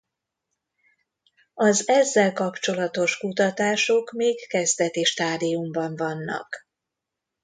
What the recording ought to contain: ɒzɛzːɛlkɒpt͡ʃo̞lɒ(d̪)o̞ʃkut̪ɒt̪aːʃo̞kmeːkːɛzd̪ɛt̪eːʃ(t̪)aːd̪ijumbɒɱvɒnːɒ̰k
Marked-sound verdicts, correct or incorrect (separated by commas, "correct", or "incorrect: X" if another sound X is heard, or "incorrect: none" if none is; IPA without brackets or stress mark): incorrect: t̪, correct